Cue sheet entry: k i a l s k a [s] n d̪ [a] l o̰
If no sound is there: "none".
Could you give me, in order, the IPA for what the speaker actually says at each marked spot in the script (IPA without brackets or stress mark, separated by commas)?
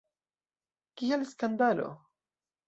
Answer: none, a